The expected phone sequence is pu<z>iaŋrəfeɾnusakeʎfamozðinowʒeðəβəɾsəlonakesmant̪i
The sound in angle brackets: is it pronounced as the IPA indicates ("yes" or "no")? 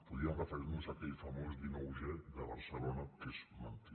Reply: no